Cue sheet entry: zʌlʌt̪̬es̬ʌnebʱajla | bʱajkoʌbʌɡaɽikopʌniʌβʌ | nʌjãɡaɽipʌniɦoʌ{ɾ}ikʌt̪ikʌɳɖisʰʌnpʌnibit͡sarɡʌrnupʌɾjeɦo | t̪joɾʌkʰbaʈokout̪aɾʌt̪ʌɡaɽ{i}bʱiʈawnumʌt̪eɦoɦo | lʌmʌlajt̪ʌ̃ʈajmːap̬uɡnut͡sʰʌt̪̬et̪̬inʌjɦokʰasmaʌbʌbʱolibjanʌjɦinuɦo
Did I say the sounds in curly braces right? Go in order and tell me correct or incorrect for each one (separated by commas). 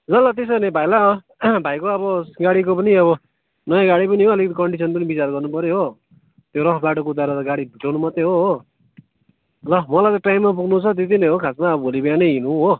incorrect, correct